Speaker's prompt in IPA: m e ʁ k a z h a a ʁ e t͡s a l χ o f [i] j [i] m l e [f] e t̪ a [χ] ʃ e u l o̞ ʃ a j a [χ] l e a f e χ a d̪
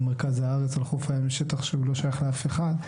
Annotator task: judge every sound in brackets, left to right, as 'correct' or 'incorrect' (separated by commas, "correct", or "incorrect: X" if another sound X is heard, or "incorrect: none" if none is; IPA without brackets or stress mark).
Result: incorrect: a, incorrect: a, incorrect: ʃ, correct, correct